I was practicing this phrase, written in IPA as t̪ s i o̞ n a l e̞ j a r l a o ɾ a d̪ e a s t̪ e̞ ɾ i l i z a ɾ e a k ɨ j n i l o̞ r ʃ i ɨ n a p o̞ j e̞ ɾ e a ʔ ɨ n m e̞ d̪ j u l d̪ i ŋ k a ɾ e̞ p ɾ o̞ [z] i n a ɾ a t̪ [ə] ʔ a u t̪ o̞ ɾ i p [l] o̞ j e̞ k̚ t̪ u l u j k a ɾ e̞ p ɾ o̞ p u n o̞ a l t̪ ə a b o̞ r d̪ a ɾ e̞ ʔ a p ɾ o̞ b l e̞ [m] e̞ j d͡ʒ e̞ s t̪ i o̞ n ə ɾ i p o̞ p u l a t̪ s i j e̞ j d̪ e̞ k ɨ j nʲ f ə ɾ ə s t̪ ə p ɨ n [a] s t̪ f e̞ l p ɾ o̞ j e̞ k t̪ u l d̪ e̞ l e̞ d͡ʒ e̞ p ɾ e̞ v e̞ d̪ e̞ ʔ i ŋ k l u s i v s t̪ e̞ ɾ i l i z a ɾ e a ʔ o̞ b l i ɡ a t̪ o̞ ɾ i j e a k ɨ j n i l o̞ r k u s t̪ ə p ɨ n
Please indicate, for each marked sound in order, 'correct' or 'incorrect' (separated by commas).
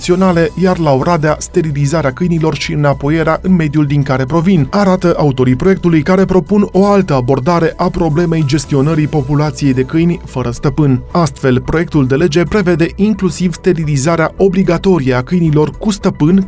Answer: incorrect, correct, incorrect, correct, correct